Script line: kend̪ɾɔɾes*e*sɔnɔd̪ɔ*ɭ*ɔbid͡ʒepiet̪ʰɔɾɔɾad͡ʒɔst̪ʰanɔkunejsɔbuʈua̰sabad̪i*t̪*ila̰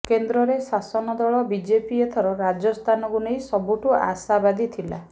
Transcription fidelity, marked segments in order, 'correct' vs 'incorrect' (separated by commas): incorrect, correct, incorrect